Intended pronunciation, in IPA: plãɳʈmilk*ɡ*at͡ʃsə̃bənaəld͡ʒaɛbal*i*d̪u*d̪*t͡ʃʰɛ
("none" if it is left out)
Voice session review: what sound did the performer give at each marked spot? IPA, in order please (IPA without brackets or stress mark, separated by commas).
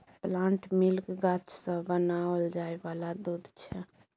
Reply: ɡ, a, d̪